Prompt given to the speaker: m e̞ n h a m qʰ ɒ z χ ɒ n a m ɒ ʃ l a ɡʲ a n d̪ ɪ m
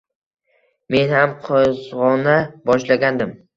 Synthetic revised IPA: m e̞ n h a m qʰ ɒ z ʁ ɒ n a b ɒ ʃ l a ɡʲ a n d̪ ɪ m